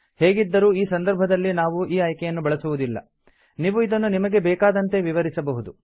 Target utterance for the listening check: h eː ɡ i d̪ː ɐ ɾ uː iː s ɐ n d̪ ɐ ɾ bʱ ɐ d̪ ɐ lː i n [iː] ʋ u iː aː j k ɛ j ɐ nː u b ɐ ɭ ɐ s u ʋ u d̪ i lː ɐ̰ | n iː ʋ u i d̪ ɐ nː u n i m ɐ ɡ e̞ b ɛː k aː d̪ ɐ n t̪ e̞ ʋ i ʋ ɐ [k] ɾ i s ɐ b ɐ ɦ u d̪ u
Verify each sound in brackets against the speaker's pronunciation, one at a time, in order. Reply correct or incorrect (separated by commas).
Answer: incorrect, incorrect